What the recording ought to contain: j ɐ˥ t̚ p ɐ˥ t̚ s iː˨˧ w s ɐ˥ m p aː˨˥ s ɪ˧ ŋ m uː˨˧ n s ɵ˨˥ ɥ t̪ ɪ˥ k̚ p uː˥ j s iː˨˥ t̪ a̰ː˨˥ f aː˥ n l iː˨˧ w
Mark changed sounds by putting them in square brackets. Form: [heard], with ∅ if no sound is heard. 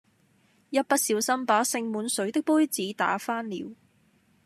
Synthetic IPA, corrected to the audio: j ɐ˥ t̚ p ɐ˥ t̚ s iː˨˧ w s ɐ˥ m p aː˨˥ s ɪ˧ ŋ m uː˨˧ n s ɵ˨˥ ɥ t̪ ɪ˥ k̚ p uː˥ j [t͡s] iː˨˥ t̪ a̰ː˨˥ f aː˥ n l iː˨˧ w